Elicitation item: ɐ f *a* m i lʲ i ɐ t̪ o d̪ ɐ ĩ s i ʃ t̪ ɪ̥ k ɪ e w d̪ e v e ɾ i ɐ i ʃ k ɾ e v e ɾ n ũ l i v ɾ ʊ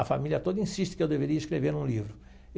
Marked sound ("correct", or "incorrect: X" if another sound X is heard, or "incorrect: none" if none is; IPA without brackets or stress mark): correct